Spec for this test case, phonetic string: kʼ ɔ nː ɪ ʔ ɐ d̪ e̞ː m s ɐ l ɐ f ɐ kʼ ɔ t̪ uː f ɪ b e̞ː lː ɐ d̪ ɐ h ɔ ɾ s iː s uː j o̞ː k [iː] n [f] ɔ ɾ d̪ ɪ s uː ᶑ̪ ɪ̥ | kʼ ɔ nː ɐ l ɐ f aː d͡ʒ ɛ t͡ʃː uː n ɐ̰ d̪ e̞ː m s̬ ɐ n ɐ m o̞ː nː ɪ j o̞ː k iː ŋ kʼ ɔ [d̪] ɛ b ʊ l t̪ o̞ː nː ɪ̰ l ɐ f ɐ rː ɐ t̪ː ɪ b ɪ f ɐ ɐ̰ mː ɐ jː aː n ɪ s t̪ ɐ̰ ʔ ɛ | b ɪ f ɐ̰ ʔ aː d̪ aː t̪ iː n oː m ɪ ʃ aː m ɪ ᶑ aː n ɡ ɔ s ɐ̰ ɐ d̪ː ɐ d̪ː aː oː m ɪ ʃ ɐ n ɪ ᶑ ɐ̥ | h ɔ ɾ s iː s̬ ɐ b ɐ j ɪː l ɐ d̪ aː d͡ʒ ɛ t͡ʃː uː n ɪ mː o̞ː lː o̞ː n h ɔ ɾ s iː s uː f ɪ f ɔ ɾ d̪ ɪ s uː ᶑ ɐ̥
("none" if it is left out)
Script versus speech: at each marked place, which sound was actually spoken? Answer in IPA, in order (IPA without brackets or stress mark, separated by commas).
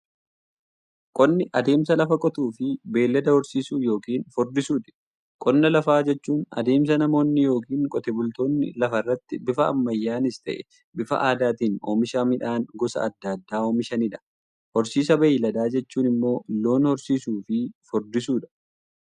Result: iː, f, t̪